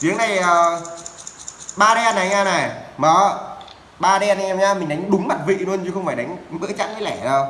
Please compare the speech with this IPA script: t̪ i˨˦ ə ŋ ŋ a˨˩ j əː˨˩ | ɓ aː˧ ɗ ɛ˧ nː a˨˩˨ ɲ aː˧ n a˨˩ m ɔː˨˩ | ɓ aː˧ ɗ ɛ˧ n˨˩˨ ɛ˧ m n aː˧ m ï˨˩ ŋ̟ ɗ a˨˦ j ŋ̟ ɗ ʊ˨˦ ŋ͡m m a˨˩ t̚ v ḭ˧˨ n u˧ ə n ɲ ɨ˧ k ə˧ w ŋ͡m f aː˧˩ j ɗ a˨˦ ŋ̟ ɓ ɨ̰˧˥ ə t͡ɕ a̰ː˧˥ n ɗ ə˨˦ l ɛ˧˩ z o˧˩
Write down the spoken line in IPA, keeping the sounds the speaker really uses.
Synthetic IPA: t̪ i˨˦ ə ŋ n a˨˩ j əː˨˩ | ɓ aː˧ ɗ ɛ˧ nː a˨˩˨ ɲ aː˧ n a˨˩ m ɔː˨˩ | ɓ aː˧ ɗ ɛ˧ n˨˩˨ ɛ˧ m ɲ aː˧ m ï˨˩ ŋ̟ ɗ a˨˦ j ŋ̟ ɗ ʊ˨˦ ŋ͡m m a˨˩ t̚ v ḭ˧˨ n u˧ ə n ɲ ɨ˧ x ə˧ w ŋ͡m f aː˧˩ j ɗ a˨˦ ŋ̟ ɓ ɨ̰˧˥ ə t͡ɕ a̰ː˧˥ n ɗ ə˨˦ l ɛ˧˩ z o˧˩

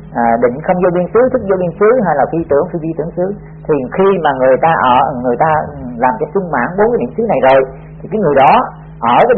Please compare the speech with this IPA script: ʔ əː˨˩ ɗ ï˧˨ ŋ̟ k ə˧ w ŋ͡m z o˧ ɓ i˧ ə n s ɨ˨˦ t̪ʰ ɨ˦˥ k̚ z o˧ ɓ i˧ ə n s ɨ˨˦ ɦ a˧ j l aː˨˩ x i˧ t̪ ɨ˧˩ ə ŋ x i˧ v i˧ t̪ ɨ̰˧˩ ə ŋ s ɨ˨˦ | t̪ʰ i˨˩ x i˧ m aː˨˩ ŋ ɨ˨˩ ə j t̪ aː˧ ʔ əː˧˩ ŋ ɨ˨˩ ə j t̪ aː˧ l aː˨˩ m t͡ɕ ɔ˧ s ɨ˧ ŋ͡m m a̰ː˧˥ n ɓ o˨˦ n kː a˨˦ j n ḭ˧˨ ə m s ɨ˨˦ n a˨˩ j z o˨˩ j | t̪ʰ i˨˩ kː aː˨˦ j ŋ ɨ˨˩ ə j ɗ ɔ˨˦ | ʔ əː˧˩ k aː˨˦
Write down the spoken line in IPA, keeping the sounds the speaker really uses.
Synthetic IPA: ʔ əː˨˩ ɗ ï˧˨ ŋ̟ x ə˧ w ŋ͡m z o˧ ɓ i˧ ə n s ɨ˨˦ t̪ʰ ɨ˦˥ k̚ z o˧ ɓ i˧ ə n s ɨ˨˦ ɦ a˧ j l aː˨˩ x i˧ t̪ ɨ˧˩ ə ŋ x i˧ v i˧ t̪ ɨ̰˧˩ ə ŋ s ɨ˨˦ | t̪ʰ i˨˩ x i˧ m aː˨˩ ŋ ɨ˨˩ ə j t̪ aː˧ ʔ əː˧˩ ŋ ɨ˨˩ ə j t̪ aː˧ l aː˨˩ m t͡ɕ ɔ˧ s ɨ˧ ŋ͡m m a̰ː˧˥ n ɓ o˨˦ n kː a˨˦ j n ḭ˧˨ ə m s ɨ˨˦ n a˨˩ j z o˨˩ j | t̪ʰ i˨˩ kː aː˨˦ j ŋ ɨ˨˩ ə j ɗ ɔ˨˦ | ʔ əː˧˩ k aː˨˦

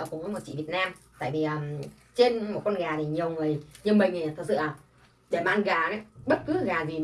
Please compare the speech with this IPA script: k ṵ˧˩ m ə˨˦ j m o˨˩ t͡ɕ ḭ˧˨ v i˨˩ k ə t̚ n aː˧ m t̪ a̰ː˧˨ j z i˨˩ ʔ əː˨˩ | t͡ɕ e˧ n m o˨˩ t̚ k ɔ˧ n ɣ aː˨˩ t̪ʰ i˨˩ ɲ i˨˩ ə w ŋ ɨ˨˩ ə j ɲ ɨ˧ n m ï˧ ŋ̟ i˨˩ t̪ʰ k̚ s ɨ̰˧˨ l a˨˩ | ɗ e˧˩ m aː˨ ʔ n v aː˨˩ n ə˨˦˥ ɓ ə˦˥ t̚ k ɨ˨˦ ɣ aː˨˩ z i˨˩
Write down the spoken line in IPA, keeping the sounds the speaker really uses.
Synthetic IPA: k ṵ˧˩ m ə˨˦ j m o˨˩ t͡ɕ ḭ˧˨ v i˨˩ ə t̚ n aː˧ m t̪ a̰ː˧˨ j v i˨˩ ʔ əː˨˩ | t͡ɕ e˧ n m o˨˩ t̚ k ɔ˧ n ɣ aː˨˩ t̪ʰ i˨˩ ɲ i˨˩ ə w ŋ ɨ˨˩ ə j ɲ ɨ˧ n m ï˨˩ ŋ̟ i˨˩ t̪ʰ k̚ s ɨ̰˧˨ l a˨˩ | ɗ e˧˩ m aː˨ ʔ n ɣ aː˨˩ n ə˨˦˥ ɓ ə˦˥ t̚ k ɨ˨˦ ɣ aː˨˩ z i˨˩

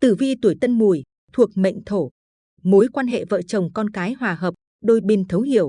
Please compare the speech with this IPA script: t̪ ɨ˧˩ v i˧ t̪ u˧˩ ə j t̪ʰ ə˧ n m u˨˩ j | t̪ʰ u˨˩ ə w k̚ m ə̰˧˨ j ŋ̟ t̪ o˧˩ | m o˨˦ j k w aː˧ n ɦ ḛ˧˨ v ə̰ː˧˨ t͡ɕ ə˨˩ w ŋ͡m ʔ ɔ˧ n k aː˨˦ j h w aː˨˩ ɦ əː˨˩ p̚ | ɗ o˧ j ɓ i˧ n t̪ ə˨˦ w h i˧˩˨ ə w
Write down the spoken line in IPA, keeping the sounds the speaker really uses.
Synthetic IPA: t̪ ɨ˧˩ v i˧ t̪ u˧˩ ə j t̪ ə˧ n m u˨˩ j | t̪ʰ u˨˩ ə k̚ m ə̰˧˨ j ŋ̟ t̪ʰ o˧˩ | m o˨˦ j k w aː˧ n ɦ ḛ˧˨ v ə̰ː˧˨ t͡ɕ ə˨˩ w ŋ͡m k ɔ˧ n k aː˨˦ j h w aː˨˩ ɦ əː˨˩ p̚ | ɗ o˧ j ɓ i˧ n t̪ʰ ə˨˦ w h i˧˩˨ ə w

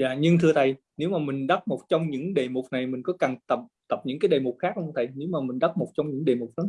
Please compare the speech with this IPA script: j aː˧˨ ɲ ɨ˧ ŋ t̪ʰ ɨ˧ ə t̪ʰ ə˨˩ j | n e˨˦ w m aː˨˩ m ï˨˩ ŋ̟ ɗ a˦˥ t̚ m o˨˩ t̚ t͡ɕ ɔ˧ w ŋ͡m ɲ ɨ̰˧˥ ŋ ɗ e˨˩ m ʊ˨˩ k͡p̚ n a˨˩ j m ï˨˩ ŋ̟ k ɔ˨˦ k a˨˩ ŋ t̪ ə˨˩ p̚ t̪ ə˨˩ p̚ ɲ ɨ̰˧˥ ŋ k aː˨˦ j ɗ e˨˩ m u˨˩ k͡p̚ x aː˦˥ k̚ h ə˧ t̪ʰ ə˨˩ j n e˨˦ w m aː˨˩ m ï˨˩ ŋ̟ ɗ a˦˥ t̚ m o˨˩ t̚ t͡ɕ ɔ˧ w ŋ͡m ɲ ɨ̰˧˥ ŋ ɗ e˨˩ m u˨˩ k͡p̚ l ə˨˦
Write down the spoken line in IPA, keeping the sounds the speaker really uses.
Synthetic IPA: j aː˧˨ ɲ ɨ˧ ŋ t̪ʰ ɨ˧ ə t̪ʰ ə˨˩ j | n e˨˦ w m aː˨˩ m ï˨˩ ŋ̟ ɗ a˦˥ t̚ m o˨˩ t̚ t͡ɕ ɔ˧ w ŋ͡m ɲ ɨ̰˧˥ ŋ ɗ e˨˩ m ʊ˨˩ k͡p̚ n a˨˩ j m ï˨˩ ŋ̟ k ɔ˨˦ k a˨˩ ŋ t̪ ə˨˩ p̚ t̪ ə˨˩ p̚ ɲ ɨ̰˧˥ ŋ k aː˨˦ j ɗ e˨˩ m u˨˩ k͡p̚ x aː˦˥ k̚ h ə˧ t̪ʰ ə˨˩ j n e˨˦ w m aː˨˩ m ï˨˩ ŋ̟ ɗ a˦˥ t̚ m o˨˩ t̚ t͡ɕ ɔ˧ w ŋ͡m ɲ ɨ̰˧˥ ŋ ɗ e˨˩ m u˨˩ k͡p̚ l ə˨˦

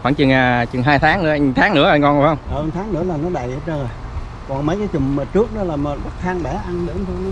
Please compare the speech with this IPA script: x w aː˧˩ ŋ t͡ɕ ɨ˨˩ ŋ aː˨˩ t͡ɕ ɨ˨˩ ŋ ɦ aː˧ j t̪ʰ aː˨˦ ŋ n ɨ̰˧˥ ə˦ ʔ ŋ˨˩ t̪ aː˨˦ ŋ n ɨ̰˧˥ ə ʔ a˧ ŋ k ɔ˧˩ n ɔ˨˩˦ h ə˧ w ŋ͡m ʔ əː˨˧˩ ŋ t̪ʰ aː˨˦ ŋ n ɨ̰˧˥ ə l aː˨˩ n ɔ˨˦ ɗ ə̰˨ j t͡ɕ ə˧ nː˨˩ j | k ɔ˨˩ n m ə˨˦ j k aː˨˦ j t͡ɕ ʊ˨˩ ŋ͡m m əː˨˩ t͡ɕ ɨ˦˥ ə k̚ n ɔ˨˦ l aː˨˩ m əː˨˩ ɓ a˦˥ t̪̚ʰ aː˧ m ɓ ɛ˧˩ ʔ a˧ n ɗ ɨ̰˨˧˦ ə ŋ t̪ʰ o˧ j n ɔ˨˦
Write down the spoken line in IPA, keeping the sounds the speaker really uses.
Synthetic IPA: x w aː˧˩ ŋ t͡ɕ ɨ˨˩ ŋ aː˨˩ t͡ɕ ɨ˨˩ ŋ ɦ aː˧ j t̪ʰ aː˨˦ ŋ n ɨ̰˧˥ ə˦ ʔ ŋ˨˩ t̪ʰ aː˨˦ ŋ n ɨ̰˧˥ ə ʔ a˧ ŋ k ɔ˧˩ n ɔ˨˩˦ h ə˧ w ŋ͡m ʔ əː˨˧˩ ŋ t̪ʰ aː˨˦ ŋ n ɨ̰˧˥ ə l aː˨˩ n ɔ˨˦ ɗ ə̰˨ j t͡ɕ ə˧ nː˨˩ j | k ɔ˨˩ n m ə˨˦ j k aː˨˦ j t͡ɕ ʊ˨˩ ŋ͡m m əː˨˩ t͡ɕ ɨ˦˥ ə k̚ n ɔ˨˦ l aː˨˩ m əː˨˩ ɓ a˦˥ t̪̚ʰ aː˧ ŋ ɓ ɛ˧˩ ʔ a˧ n ɗ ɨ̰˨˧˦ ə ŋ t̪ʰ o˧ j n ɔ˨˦

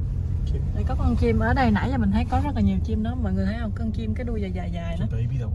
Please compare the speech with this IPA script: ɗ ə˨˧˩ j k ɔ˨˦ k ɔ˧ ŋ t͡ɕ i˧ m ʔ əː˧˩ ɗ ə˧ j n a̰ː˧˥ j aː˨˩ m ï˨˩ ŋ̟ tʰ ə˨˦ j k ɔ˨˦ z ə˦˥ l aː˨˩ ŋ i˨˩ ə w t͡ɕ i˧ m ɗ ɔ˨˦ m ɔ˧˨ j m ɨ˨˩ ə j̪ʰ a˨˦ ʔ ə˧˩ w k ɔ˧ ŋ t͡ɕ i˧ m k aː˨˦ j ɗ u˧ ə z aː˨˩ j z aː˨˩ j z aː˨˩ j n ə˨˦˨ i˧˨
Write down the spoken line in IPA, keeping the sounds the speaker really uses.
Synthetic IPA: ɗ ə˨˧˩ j k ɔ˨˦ k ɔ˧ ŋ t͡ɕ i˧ m ʔ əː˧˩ ɗ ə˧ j n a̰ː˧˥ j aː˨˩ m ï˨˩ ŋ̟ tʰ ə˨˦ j k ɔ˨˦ z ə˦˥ l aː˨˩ ɲ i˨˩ ə w t͡ɕ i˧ m ɗ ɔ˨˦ m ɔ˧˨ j ŋ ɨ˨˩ ə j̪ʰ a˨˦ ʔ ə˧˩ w k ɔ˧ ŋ t͡ɕ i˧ m k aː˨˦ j ɗ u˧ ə z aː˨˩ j z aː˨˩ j z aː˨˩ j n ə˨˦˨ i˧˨

